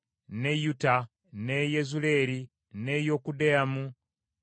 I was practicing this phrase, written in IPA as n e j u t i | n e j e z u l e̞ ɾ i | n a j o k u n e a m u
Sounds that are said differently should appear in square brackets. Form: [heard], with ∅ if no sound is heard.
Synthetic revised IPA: n e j u t [a] | n e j e z u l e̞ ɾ i | n [e] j o k u [d] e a m u